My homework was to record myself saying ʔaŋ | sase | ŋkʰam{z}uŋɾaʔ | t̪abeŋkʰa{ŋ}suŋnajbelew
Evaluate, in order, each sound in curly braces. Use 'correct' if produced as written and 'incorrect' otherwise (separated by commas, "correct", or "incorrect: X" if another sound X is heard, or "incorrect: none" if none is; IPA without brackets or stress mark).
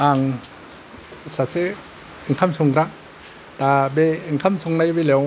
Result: incorrect: s, incorrect: m